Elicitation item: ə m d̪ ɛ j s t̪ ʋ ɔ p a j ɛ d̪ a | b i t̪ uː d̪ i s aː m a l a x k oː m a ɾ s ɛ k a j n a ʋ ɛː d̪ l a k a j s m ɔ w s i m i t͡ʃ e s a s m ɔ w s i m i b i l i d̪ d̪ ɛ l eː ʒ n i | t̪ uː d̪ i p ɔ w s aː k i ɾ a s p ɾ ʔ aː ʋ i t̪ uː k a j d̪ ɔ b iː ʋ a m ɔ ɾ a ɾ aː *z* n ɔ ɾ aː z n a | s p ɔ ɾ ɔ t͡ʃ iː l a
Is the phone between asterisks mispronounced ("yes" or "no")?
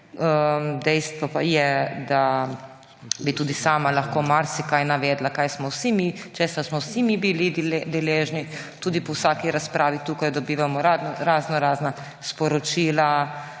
no